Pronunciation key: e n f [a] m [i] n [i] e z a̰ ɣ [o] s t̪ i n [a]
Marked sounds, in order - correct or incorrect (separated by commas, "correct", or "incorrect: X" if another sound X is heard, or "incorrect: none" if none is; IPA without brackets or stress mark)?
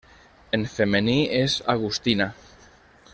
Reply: incorrect: e, incorrect: e, correct, incorrect: u, correct